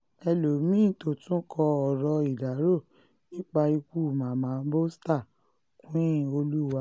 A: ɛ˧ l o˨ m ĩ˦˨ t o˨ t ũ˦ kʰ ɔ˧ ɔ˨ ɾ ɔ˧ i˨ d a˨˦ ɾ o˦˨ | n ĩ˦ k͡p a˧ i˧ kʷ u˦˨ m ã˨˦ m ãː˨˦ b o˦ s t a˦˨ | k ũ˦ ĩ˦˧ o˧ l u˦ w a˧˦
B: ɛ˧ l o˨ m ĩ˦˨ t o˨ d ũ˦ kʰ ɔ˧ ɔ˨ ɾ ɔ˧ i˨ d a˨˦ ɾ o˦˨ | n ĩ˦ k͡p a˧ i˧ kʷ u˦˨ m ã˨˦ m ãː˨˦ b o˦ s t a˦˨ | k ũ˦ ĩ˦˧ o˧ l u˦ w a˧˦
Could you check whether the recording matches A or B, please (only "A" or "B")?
A